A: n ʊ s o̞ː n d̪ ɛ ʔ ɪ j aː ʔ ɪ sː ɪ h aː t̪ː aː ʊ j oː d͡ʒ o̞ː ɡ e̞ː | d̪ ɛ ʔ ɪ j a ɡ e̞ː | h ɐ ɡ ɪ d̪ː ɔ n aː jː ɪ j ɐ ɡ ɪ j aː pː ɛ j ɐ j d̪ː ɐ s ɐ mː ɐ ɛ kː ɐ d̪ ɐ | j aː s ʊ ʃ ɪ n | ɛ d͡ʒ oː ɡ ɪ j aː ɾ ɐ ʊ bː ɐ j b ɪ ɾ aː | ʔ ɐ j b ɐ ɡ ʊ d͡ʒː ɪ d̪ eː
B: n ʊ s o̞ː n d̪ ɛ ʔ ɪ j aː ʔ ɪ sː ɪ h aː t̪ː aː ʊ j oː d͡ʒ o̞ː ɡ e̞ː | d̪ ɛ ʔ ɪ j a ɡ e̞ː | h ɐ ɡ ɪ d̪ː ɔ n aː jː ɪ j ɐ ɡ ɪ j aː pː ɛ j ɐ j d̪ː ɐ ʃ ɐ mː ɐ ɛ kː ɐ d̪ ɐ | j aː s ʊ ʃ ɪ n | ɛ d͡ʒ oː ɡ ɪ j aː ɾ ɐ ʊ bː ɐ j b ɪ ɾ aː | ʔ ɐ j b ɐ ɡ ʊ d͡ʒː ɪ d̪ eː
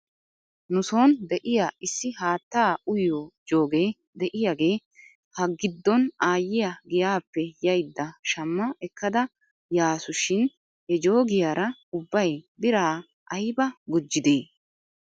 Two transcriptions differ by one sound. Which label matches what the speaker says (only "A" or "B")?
B